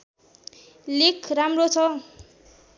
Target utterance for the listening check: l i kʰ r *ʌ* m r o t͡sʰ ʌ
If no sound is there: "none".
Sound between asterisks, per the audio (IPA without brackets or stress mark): a